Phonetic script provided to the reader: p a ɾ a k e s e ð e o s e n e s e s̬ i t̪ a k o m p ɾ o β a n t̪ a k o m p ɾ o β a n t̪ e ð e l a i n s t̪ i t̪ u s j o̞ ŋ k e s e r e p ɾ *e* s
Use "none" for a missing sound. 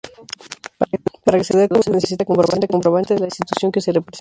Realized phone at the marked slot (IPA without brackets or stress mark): e